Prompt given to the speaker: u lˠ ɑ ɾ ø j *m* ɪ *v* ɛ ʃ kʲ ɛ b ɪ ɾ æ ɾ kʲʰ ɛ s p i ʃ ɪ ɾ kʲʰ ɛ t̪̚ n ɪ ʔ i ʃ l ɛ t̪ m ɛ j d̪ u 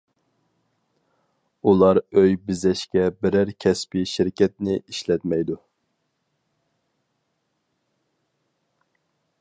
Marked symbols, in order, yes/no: no, no

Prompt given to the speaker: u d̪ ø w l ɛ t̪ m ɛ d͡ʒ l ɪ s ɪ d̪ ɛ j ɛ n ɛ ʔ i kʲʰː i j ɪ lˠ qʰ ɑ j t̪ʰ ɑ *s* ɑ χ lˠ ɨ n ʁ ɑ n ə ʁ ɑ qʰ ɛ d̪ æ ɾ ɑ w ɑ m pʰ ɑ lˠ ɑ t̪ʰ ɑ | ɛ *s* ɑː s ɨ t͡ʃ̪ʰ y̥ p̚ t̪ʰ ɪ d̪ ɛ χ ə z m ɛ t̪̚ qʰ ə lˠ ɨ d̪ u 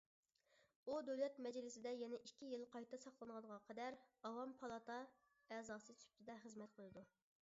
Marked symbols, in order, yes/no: yes, no

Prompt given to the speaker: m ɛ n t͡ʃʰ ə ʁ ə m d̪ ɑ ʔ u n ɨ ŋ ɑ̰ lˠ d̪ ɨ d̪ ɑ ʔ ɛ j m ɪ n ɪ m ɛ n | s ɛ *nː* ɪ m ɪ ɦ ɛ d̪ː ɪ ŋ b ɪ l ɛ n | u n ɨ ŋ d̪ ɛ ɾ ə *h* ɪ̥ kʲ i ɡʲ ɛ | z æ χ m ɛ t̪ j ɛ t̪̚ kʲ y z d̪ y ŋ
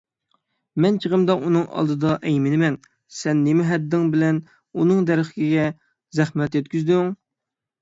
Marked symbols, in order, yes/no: yes, no

